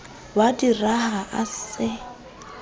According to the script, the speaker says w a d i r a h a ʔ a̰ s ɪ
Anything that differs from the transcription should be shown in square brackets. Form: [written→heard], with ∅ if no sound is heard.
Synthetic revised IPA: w a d i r a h a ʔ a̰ s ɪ